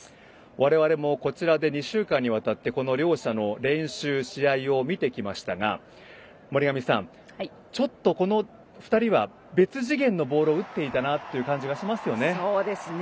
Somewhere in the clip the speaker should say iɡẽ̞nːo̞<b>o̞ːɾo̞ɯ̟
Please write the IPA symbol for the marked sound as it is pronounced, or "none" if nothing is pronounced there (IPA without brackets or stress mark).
b